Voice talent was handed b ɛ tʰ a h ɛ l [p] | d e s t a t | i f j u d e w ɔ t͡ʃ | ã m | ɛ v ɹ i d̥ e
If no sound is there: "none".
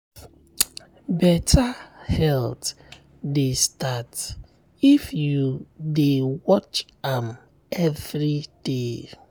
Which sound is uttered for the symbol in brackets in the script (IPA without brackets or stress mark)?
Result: t